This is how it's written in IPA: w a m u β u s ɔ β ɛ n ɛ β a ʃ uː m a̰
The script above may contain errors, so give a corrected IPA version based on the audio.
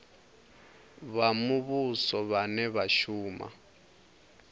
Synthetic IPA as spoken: β a m u β u s ɔ β a n ɛ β a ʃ uː m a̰